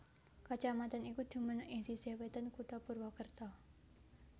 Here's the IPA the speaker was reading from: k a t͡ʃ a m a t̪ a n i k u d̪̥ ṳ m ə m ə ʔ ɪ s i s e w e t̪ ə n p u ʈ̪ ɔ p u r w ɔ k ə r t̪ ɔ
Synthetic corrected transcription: k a t͡ʃ a m a t̪ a n i k u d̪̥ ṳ m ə n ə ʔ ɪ s i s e w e t̪ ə n k u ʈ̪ ɔ p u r w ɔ k ə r t̪ ɔ